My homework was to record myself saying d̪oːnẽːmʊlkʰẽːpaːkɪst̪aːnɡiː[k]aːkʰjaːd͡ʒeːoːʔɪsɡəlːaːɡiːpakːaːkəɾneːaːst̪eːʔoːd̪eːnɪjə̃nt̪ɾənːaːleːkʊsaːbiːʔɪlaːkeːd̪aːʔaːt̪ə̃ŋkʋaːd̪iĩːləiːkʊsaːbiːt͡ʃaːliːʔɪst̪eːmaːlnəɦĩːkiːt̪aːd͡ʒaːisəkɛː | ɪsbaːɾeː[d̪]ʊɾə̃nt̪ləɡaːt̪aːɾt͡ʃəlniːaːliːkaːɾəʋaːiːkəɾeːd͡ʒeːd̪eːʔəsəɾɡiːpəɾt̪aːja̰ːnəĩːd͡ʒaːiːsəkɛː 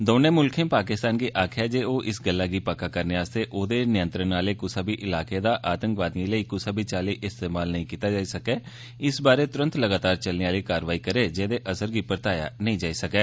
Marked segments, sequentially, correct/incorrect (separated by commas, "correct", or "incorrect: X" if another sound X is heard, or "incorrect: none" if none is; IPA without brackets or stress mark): incorrect: ʔ, incorrect: t̪